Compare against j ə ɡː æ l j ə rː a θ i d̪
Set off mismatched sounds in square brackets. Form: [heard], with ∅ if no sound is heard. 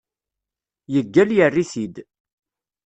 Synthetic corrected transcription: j ə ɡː æ l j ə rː [i] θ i d̪